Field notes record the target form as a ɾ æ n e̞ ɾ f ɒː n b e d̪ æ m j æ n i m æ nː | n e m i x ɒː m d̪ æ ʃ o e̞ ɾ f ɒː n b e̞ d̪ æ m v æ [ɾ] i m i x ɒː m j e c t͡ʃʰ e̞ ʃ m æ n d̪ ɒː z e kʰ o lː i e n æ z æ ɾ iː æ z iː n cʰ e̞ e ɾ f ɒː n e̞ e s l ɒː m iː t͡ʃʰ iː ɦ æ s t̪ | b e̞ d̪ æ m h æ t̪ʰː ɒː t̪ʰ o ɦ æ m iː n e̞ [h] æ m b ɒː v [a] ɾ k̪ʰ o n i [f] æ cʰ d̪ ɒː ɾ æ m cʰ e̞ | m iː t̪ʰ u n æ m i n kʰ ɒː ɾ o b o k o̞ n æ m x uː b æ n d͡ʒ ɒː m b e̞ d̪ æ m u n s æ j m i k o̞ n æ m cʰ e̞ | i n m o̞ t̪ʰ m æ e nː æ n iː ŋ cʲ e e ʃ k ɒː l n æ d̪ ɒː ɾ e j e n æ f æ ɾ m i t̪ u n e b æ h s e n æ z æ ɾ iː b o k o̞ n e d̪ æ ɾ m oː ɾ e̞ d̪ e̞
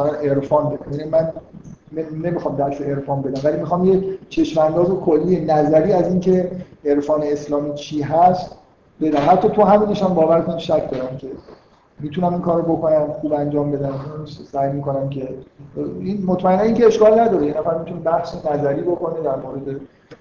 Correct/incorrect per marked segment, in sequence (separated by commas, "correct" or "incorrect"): incorrect, incorrect, incorrect, incorrect